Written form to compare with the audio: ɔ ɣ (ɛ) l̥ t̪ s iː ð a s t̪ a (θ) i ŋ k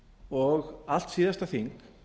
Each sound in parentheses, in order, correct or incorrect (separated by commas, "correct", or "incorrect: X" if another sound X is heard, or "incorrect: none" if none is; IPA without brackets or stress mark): incorrect: a, correct